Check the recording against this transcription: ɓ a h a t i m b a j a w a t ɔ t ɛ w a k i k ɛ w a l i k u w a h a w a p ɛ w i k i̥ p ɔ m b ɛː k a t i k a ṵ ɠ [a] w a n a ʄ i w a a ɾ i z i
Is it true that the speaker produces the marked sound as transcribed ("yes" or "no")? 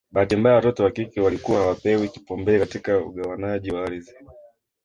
yes